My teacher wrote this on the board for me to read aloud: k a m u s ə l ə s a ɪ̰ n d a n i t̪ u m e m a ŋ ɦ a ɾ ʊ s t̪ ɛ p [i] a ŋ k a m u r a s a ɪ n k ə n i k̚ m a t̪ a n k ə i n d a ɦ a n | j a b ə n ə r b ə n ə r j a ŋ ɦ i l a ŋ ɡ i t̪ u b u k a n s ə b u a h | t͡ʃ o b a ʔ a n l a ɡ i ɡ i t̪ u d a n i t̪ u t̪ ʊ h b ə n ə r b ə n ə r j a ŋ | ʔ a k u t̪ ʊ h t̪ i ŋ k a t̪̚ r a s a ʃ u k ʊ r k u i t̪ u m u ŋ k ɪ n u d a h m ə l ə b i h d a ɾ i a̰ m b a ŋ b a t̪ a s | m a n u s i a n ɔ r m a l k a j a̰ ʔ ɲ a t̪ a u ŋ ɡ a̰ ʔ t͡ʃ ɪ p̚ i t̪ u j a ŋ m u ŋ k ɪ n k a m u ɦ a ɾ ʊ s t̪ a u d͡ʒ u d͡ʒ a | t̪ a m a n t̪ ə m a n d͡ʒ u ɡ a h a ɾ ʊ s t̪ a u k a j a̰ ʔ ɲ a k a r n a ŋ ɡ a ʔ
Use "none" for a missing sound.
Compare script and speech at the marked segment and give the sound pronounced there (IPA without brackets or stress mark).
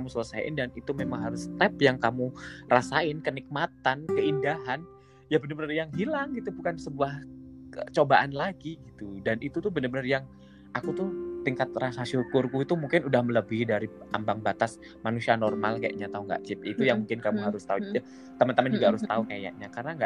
j